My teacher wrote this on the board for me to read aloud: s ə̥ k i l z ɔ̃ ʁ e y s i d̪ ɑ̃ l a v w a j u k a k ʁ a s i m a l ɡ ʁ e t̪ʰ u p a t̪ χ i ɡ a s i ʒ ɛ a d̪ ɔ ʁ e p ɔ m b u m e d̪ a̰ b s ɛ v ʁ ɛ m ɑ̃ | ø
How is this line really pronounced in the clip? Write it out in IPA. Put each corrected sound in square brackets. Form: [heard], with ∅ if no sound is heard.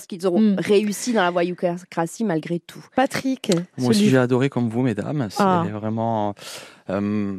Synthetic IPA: s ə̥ k i l z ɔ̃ ʁ e y s i d̪ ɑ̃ l a v w a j u k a k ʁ a s i m a l ɡ ʁ e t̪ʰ u p a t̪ χ i [k] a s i ʒ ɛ a d̪ ɔ ʁ e [k] ɔ m [v] u m e d̪ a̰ [m] s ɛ v ʁ ɛ m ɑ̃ | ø